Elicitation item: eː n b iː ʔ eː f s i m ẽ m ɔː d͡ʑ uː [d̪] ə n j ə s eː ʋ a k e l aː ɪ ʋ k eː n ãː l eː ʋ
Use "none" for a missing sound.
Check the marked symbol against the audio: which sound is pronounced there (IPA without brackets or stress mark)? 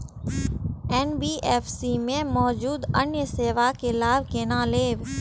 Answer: d̪